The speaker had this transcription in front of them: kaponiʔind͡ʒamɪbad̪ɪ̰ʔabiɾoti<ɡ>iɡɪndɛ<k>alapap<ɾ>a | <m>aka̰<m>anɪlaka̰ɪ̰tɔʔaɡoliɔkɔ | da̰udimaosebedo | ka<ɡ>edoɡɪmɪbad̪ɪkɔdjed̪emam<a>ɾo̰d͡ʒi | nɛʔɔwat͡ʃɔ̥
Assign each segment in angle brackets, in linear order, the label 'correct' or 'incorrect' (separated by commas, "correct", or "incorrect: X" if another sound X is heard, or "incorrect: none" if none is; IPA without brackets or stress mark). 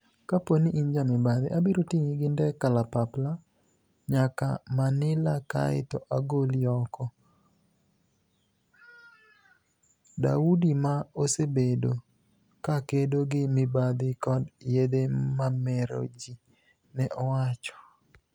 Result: incorrect: ŋ, correct, incorrect: l, incorrect: ɲ, correct, incorrect: k, incorrect: ɛ